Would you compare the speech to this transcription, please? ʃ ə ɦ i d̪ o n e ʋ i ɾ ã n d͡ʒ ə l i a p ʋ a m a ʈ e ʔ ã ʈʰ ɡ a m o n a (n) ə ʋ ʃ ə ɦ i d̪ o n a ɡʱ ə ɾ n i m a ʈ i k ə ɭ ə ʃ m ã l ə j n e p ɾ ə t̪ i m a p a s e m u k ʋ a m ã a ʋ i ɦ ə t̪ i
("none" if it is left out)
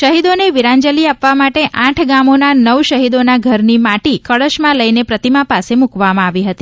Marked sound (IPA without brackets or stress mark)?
n